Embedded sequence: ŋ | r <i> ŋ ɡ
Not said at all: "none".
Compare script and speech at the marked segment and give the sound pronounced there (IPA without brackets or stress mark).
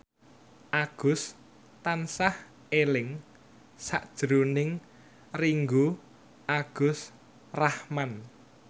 i